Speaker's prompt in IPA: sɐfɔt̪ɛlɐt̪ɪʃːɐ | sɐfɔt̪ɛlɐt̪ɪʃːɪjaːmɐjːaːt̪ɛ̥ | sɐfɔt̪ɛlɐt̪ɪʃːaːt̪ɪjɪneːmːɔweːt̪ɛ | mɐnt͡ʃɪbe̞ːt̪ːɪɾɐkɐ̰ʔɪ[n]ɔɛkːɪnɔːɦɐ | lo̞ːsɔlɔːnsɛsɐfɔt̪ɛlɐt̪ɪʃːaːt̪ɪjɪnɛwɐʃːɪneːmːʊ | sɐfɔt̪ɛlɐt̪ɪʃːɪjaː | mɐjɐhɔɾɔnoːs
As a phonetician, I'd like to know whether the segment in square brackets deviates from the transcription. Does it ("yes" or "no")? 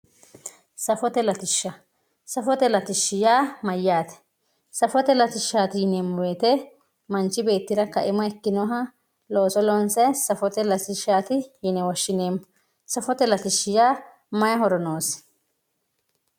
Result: yes